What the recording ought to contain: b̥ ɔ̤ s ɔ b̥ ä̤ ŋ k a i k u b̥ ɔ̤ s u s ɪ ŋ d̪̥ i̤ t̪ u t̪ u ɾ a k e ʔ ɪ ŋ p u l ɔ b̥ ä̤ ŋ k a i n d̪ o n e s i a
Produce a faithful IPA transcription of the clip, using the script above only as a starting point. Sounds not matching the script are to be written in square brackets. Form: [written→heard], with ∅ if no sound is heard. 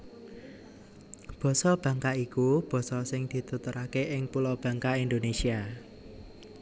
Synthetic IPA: b̥ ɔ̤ s ɔ b̥ ä̤ ŋ k a i k u b̥ ɔ̤ s [u→ɔ] s ɪ ŋ d̪̥ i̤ t̪ u t̪ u ɾ a k e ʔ ɪ ŋ p u l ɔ b̥ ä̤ ŋ k a i n d̪ o n e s i a